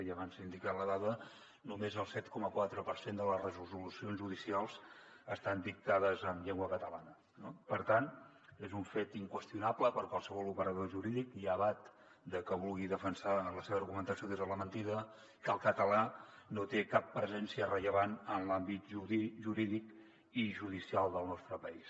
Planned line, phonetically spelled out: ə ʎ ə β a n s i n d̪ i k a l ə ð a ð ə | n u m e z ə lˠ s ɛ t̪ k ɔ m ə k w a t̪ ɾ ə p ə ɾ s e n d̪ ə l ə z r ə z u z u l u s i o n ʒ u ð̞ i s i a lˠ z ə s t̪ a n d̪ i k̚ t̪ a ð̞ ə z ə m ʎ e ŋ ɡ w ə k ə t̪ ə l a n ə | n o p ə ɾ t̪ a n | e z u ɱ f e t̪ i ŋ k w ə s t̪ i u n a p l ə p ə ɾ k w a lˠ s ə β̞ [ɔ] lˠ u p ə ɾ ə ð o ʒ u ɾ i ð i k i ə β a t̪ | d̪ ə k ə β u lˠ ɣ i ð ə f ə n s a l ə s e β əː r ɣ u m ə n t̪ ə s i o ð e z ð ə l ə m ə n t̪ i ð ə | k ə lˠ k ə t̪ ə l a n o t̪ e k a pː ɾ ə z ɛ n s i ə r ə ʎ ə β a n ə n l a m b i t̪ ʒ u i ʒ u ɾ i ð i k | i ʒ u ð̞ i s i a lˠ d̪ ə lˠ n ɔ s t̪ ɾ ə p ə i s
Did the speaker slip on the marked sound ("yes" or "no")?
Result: no